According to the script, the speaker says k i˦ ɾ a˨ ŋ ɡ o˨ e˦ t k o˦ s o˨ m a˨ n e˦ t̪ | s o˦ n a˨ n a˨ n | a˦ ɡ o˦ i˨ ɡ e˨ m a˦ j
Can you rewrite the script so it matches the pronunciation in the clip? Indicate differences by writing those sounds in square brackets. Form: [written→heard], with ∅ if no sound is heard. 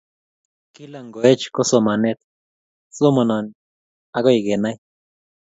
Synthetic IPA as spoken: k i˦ [ɾ→l] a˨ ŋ ɡ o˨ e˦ [t→t͡ʃ] k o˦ s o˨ m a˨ n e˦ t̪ | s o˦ [n→m] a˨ n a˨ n | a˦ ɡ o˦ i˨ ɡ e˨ [m→n] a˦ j